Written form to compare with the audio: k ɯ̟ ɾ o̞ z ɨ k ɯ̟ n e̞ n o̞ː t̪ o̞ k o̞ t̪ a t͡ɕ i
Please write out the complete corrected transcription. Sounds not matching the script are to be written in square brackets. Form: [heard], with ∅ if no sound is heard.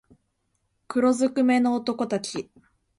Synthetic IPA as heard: k ɯ̟ ɾ o̞ z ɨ k ɯ̟ [m] e̞ n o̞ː t̪ o̞ k o̞ t̪ a t͡ɕ i